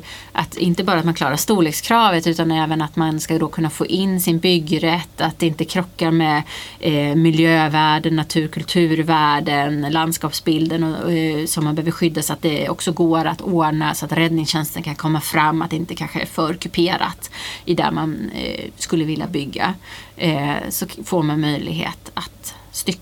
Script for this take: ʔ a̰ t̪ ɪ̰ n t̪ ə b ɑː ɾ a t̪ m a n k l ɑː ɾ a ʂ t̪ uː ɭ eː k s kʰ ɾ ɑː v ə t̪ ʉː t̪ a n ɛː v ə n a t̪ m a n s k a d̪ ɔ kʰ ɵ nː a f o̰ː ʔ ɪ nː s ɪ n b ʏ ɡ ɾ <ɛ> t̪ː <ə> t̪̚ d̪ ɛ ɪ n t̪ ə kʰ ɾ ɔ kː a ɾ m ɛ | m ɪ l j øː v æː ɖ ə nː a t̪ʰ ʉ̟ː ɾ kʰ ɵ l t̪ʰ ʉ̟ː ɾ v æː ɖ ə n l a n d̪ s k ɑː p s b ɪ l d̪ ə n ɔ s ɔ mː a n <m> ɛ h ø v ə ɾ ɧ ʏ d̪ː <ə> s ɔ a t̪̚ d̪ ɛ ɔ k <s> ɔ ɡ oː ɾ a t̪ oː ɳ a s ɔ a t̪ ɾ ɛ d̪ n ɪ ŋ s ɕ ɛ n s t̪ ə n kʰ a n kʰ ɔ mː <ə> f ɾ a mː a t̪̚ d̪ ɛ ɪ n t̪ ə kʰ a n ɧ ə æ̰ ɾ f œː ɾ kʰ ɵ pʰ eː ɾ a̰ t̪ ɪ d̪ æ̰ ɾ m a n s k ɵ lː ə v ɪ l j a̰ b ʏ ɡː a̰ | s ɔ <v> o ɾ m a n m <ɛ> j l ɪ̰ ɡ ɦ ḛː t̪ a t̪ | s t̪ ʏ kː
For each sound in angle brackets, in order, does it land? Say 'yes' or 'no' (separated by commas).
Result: yes, no, no, no, yes, no, no, no